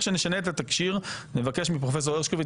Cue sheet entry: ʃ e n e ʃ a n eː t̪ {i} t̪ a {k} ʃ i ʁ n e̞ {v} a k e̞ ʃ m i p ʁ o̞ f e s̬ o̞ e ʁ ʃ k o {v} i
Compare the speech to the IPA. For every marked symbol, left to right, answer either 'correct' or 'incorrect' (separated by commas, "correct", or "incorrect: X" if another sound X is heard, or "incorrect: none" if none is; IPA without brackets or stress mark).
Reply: incorrect: a, correct, correct, correct